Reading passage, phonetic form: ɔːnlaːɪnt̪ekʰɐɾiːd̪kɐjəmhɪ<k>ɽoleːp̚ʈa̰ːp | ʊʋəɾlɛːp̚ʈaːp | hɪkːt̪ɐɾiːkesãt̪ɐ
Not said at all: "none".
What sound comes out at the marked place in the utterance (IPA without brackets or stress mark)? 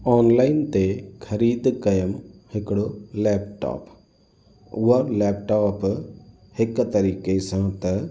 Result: k